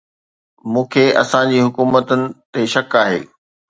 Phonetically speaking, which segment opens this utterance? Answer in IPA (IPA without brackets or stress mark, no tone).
m